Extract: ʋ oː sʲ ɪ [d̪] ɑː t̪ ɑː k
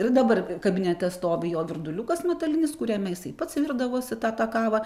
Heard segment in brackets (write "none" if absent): t̪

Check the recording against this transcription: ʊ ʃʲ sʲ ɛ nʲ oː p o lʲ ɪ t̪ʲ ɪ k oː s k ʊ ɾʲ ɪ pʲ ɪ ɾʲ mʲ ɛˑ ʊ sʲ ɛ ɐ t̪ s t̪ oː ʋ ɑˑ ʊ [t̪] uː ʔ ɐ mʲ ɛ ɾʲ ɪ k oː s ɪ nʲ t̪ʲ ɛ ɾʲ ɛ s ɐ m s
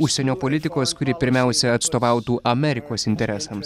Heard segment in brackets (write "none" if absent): t̪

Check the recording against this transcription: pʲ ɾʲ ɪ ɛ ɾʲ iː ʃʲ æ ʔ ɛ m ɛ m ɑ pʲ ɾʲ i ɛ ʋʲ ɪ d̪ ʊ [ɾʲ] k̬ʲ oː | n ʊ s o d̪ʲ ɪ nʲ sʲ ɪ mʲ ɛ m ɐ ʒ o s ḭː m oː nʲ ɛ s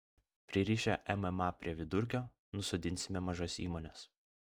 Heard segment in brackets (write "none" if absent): ɾʲ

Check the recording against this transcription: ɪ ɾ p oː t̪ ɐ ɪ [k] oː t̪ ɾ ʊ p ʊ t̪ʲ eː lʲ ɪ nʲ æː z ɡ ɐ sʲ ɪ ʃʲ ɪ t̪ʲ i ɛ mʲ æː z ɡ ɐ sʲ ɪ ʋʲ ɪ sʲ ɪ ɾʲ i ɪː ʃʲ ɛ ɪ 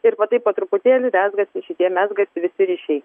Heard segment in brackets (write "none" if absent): p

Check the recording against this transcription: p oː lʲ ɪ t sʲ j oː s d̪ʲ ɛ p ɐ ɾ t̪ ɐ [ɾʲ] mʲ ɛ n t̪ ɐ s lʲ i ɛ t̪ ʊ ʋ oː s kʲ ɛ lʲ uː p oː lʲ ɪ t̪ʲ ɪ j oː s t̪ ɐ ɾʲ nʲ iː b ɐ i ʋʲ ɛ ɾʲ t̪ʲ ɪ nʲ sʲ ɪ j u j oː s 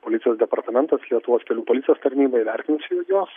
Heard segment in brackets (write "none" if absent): none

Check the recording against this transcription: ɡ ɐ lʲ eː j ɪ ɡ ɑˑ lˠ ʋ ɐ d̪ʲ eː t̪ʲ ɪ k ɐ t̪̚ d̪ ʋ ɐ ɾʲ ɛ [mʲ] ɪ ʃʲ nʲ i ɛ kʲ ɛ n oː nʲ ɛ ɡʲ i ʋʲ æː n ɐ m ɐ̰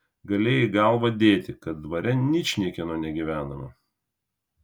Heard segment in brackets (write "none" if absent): nʲ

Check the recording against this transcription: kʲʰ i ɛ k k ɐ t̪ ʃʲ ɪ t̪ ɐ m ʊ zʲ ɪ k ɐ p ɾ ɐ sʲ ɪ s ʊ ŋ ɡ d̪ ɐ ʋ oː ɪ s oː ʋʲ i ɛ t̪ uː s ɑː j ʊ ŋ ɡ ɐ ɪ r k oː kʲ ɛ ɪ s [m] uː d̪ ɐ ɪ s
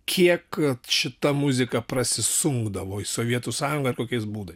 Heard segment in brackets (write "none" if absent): b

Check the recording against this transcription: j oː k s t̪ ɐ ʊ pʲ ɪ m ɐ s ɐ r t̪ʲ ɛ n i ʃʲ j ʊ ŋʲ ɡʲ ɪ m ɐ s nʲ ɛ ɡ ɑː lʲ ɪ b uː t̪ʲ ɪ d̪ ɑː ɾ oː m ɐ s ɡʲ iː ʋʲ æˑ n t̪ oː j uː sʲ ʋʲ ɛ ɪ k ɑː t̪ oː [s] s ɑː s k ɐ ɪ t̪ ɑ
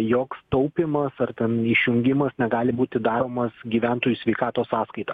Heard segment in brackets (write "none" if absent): s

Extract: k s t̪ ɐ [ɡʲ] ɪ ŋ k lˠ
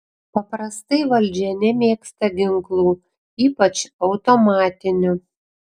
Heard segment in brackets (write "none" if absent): ɡʲ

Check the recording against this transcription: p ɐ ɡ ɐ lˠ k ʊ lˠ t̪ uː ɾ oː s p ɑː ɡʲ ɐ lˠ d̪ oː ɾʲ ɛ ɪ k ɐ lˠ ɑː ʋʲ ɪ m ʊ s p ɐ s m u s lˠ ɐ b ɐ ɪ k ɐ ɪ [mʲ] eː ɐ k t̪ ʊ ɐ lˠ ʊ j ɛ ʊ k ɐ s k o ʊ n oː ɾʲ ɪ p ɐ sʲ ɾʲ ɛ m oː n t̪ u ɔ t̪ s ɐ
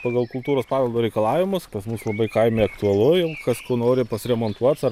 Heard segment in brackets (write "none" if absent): mʲ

